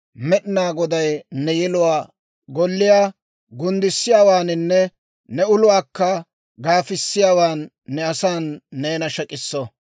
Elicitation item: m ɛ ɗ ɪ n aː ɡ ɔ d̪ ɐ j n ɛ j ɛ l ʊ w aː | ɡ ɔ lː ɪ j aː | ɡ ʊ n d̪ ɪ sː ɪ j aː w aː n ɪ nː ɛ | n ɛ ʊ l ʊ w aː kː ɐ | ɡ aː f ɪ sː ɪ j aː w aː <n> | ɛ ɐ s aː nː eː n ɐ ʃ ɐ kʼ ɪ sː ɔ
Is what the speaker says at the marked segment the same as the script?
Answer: no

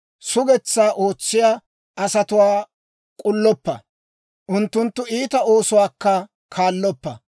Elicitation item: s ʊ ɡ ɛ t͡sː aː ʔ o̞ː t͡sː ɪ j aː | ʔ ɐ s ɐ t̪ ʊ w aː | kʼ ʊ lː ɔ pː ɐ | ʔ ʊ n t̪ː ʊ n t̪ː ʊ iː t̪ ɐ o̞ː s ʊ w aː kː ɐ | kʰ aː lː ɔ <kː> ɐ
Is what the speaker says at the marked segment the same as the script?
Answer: no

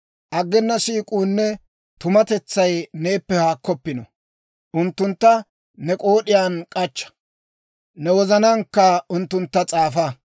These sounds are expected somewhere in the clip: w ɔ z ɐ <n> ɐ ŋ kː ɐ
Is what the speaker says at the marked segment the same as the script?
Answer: yes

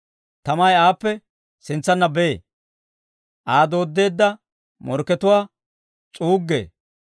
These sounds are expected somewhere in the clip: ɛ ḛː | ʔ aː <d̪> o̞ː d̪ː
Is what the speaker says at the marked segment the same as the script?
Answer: yes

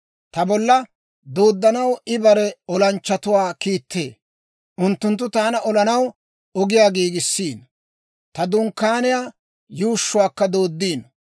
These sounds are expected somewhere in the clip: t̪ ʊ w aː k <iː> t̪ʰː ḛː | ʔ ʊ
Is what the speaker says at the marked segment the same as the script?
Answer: yes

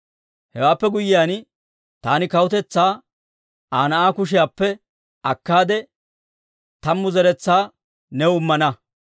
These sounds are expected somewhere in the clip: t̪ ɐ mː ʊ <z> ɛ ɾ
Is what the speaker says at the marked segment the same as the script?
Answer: yes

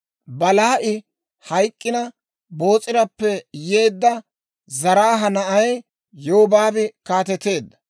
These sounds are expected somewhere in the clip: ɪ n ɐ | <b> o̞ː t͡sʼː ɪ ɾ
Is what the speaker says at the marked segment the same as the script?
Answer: yes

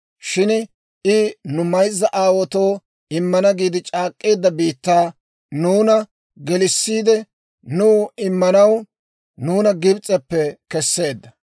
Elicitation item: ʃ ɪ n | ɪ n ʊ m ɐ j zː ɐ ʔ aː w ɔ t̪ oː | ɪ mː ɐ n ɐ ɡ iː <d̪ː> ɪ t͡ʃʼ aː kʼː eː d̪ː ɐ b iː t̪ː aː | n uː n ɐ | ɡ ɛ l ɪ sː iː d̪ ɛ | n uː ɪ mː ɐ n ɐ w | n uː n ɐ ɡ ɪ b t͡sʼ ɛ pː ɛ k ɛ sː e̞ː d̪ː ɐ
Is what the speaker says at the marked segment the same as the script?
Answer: no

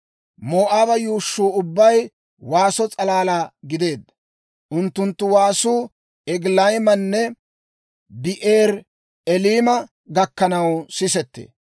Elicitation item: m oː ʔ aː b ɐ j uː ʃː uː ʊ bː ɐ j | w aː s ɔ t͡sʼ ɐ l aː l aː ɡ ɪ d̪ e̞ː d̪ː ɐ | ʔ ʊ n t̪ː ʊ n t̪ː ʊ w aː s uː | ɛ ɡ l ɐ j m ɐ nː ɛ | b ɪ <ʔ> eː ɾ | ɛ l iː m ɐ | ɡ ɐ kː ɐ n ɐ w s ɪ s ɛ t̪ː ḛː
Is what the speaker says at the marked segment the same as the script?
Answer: yes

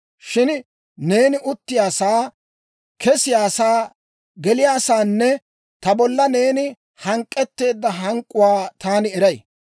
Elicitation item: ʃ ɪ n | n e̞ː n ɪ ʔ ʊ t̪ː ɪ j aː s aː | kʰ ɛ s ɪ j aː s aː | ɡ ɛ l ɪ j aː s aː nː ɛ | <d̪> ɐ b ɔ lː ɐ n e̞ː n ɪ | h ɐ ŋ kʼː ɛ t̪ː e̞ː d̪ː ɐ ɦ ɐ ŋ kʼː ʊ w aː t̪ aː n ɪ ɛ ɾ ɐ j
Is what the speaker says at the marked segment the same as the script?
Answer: no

